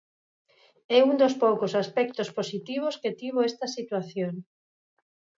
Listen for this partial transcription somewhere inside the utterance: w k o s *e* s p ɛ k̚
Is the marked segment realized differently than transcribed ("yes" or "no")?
yes